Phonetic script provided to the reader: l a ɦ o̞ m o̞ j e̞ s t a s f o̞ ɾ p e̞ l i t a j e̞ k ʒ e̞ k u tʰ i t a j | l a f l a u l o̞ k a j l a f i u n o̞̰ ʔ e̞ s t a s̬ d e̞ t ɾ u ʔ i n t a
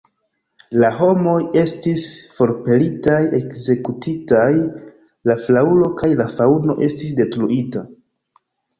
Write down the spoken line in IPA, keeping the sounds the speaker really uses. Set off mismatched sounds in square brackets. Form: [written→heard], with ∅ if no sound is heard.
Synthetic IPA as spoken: l a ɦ o̞ m o̞ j e̞ s t [a→i] s f o̞ ɾ p e̞ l i t a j e̞ k [ʒ→z] e̞ k u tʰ i t a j | l a f l a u l o̞ k a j l a f [i→a] u n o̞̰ ʔ e̞ s t [a→i] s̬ d e̞ t ɾ u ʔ i [n→∅] t a

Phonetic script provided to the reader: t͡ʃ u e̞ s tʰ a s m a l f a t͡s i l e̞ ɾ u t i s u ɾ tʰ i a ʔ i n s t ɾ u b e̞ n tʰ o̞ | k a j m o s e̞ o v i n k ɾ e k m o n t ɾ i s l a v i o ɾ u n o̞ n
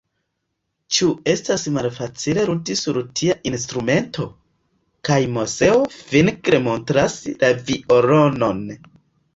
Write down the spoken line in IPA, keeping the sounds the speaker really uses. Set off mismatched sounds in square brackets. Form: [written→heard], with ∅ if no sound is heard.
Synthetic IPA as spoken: t͡ʃ u e̞ s [tʰ→t] a s m a l f a t͡s i l e̞ ɾ u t i s u ɾ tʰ i a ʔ i n s t ɾ u [b→m] e̞ n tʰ o̞ | k a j m o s e̞ o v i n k ɾ e [k→∅] m o n t ɾ [i→a] s l a v i o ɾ [u→o] n o̞ n

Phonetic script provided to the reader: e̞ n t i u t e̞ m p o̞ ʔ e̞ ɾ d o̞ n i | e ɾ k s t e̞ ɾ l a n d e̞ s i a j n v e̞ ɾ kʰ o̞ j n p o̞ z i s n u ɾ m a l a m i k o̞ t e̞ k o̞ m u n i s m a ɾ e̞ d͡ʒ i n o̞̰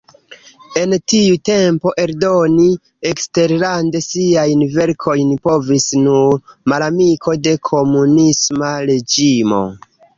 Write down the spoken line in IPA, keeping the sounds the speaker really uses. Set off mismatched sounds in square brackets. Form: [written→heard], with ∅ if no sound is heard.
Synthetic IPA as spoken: e̞ n t i u t e̞ m p o̞ ʔ e̞ ɾ d o̞ n i | e [ɾ→∅] k s t e̞ ɾ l a n d e̞ s i a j n v e̞ ɾ kʰ o̞ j n p o̞ [z→v] i s n u ɾ m a l a m i k o̞ [t→d] e̞ [k→kʰ] o̞ m u n i s m a ɾ e̞ d͡ʒ i [n→m] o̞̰

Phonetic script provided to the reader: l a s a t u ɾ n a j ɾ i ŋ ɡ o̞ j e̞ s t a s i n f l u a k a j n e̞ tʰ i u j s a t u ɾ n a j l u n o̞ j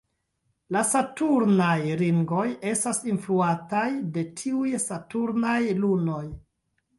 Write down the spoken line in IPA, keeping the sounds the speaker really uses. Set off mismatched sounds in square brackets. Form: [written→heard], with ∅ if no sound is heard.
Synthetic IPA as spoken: l a s a t u ɾ n a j ɾ i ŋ ɡ o̞ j e̞ s t a s i n f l u a [k→t] a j [n→d] e̞ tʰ i u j s a t u ɾ n a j l u n o̞ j

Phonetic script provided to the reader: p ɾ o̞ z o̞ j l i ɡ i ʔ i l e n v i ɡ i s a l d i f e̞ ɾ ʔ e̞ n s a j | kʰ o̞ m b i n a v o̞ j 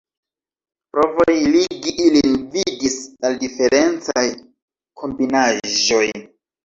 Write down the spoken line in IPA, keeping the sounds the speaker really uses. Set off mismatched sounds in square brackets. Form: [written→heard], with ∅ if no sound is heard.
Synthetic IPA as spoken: p ɾ o̞ [z→v] o̞ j l i ɡ i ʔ i l [e→i] n v i [ɡ→d] i s a l d i f e̞ ɾ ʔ e̞ n [s→t͡s] a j | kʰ o̞ m b i n a [v→ʒ] o̞ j

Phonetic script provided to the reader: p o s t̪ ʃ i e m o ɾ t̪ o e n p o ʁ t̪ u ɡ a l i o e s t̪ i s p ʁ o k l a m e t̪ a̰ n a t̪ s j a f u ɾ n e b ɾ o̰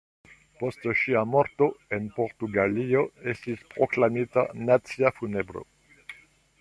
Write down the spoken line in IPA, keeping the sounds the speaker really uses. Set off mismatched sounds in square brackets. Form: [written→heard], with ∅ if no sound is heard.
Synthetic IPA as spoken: p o s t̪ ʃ i [e→a] m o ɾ t̪ o e n p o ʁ t̪ u ɡ a l i o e s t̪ i s p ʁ o k l a m [e→i] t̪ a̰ n a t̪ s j a f u [ɾ→∅] n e b ɾ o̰

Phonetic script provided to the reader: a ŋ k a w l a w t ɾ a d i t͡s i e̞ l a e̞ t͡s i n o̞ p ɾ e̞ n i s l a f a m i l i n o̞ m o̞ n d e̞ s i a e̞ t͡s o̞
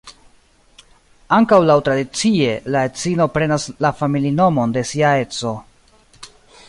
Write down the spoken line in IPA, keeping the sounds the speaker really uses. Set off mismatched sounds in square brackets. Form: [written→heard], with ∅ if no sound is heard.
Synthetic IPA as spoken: a ŋ k a w l a w t ɾ a d i t͡s i e̞ l a e̞ t͡s i n o̞ p ɾ e̞ n [i→a] s l a f a m i l i n o̞ m o̞ n d e̞ s i a e̞ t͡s o̞

